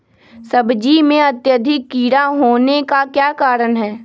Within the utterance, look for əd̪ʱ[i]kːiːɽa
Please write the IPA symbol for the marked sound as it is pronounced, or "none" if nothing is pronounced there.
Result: ɪ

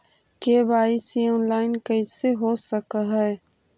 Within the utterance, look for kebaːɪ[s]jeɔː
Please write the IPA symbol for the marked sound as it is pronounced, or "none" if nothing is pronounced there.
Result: s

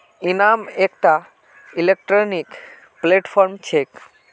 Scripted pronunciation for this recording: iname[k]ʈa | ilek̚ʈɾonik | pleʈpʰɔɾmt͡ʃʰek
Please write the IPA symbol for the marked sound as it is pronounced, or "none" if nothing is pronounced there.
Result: k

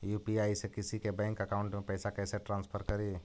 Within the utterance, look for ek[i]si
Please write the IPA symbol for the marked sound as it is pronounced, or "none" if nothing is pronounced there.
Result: ɪ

